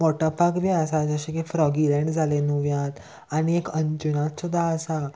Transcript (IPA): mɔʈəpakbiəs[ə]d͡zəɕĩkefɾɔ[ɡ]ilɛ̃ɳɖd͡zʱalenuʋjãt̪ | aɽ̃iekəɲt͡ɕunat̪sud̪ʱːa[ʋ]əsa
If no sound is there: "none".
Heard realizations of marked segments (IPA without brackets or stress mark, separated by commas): a, ɡ, none